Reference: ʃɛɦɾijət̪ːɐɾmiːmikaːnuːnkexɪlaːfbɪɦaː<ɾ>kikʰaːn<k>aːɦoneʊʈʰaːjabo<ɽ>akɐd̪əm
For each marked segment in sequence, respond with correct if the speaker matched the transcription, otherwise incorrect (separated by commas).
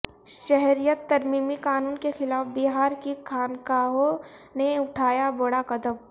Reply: correct, correct, correct